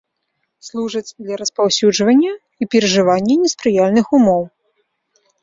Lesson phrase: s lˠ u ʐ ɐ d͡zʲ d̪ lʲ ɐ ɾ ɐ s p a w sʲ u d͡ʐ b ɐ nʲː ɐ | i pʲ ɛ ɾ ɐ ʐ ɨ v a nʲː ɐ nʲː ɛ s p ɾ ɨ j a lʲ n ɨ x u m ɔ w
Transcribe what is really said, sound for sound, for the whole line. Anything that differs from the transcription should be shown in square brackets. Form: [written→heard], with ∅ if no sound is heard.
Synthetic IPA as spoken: s lˠ u ʐ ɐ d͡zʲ d̪ lʲ ɐ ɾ ɐ s p a w sʲ u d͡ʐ [b→v] ɐ nʲː ɐ | i pʲ ɛ ɾ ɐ ʐ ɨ v a nʲː ɐ [nʲː→nʲ] ɛ s p ɾ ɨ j a lʲ n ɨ x u m ɔ w